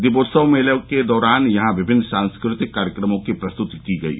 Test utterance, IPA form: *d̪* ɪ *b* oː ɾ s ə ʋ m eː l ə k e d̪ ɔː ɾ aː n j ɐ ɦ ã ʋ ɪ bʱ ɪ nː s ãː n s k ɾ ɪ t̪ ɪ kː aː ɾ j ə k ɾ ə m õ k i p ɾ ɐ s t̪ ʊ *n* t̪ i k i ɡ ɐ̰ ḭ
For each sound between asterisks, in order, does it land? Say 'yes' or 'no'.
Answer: yes, yes, no

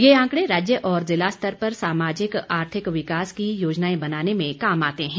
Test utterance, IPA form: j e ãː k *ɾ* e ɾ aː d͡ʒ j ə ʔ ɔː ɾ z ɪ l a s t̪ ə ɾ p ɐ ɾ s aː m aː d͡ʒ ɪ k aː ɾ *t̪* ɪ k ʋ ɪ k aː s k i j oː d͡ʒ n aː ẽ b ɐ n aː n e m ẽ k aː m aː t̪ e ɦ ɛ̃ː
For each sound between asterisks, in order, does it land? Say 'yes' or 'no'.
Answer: no, no

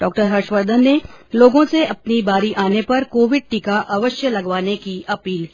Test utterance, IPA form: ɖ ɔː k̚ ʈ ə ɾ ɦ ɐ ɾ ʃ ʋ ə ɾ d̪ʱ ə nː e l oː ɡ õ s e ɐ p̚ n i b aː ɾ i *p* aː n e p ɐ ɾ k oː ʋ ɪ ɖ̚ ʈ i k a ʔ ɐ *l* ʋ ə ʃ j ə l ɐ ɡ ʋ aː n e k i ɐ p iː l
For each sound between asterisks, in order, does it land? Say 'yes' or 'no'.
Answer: no, no

